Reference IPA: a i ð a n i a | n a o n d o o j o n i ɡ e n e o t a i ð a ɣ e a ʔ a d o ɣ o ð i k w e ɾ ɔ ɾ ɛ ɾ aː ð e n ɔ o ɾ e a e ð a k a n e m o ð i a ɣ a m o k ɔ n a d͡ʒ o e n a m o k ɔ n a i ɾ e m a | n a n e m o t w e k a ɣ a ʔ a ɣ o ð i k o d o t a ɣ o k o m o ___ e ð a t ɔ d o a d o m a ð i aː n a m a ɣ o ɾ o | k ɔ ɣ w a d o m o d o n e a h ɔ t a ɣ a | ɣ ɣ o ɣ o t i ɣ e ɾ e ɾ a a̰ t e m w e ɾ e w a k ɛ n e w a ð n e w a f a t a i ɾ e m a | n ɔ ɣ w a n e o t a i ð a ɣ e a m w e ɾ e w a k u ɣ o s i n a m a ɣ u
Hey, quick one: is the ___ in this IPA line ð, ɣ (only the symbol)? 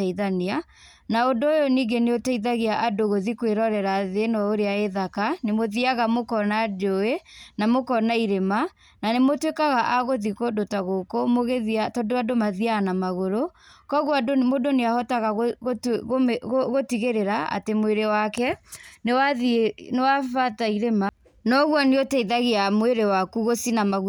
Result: ɣ